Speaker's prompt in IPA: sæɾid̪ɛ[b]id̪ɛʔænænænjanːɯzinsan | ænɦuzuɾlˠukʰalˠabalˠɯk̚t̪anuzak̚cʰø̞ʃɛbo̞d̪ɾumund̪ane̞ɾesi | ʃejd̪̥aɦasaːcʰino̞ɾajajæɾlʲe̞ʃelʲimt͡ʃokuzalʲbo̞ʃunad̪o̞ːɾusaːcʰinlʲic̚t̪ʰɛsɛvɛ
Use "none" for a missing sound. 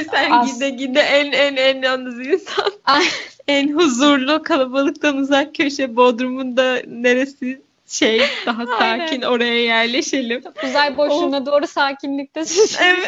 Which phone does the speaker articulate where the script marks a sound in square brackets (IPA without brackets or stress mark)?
ɟ